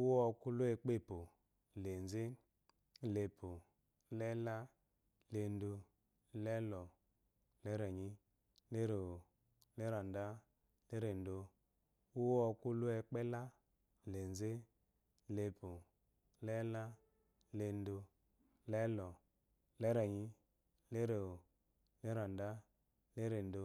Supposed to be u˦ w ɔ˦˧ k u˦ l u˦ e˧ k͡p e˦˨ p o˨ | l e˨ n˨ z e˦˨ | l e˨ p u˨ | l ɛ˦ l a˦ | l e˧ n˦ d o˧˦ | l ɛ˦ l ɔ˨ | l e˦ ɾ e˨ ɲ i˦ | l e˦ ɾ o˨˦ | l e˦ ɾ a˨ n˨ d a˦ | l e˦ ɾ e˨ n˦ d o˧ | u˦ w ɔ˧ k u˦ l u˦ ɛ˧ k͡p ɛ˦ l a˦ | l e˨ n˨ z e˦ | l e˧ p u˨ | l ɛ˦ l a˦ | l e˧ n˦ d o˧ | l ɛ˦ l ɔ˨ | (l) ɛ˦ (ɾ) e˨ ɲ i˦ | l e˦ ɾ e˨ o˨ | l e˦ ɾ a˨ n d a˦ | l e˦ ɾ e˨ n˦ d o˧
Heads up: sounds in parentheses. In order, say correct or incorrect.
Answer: correct, correct

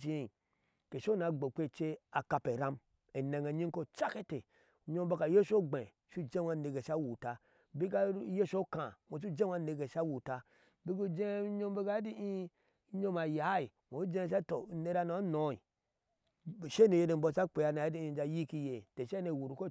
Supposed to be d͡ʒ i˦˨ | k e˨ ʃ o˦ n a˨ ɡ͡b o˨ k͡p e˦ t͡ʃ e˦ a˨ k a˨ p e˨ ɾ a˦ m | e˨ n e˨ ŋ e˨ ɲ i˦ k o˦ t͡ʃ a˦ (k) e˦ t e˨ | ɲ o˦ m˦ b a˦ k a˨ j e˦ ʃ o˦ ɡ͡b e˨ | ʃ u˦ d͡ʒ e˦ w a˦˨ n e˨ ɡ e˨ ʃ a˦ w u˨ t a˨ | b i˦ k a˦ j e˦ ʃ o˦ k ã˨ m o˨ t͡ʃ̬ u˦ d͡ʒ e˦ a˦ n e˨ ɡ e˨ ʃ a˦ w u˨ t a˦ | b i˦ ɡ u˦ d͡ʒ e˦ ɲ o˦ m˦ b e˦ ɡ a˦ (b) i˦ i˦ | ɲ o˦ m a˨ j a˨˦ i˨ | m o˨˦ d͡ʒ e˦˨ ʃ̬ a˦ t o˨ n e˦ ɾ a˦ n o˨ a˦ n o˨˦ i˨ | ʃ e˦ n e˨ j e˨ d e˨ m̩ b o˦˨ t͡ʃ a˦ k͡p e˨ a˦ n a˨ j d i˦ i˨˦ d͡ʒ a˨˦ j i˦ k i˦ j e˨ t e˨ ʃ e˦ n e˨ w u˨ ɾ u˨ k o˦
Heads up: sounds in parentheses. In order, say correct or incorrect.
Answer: correct, incorrect: d

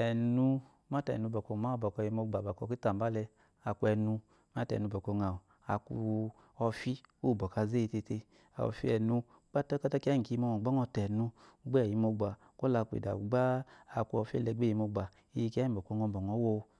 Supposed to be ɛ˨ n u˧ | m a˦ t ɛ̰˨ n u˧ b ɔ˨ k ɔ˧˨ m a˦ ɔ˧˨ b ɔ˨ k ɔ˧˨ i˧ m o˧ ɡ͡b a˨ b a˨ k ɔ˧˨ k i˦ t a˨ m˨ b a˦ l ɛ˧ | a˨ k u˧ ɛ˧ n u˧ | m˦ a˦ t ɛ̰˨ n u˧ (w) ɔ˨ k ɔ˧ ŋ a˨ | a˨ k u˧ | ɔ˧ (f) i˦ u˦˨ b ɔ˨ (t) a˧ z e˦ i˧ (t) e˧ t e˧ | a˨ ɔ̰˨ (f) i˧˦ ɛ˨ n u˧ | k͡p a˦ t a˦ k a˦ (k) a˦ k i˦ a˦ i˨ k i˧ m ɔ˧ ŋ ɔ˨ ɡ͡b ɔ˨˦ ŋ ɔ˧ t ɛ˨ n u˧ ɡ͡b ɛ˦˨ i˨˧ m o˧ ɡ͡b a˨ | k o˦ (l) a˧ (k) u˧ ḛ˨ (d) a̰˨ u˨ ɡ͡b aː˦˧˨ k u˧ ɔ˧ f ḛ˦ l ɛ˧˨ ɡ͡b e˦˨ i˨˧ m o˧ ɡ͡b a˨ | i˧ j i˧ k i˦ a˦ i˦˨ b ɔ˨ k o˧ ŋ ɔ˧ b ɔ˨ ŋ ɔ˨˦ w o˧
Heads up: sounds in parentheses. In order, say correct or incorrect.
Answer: incorrect: b, correct, incorrect: k, correct, correct, incorrect: t, correct, correct, correct

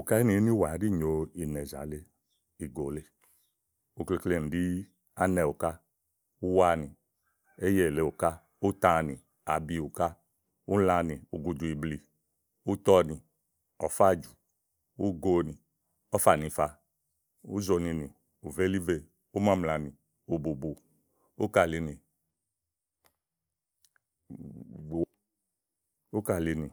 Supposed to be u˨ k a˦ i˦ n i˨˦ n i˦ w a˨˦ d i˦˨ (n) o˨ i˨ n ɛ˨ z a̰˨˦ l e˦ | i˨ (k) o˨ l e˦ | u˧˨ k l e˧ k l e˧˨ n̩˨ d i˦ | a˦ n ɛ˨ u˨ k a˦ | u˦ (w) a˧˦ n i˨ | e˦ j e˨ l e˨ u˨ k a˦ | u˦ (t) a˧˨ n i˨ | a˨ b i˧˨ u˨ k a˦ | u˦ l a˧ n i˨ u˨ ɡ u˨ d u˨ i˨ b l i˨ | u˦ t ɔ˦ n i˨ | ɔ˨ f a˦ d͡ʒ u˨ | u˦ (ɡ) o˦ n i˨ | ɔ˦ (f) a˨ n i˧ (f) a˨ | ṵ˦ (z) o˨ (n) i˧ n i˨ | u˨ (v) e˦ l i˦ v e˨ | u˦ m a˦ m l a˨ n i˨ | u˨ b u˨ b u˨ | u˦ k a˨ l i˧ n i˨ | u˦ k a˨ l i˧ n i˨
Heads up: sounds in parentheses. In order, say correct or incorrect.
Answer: incorrect: ɲ, incorrect: ɡ, correct, correct, correct, correct, correct, correct, correct, correct

